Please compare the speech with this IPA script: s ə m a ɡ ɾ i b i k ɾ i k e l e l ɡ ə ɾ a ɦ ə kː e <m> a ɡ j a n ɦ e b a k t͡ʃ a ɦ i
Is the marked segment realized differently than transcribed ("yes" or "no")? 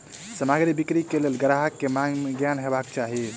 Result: no